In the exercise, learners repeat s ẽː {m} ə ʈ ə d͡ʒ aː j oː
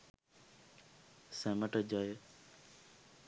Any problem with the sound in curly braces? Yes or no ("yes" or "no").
no